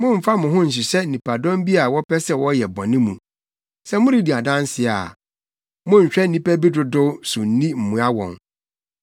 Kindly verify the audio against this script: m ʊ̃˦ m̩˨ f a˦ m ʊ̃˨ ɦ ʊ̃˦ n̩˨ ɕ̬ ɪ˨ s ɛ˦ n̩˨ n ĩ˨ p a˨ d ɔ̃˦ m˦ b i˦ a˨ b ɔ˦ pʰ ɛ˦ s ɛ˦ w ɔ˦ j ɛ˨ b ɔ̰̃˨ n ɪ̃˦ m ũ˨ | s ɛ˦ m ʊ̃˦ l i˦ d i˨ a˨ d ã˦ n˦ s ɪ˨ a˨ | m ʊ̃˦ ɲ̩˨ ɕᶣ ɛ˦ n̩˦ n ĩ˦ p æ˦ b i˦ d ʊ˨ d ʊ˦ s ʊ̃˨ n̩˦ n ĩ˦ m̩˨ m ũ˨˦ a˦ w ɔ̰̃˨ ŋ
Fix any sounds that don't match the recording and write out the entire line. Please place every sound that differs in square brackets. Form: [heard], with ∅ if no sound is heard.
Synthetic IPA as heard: m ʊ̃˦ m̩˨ f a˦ m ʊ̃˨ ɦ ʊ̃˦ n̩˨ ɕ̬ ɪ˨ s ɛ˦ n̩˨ n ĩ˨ p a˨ d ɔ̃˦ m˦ b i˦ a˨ [w] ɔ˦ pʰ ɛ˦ s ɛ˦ w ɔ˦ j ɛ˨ b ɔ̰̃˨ n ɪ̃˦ m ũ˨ | s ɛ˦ m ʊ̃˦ [ɾ] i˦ d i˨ a˨ d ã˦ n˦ s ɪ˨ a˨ | m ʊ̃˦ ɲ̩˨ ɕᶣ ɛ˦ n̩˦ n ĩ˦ p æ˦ b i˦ d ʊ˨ d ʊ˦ s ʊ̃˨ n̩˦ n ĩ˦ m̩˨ m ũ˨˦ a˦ w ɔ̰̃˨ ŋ